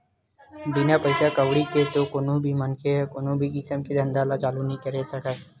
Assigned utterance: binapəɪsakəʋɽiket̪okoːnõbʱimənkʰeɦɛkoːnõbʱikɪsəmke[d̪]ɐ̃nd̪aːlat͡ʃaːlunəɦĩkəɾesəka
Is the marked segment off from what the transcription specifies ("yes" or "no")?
no